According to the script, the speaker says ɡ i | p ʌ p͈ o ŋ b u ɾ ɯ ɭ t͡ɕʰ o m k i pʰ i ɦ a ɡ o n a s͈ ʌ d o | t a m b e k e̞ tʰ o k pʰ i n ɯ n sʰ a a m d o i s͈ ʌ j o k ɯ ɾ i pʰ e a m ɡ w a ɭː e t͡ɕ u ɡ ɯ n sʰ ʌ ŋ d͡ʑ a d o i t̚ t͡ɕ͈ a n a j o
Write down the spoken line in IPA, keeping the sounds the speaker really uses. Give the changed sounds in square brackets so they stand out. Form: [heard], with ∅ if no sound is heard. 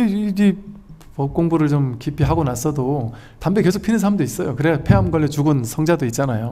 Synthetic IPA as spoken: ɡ i | p ʌ [k͈] o ŋ b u ɾ ɯ ɭ [t͡ɕ] o m k i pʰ i ɦ a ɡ o n a s͈ ʌ d o | t a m b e k e̞ [sʰ] o k pʰ i n ɯ n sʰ a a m d o i s͈ ʌ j o k ɯ ɾ [e] pʰ e a m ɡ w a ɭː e t͡ɕ u ɡ ɯ n sʰ ʌ ŋ d͡ʑ a d o i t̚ t͡ɕ͈ a n a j o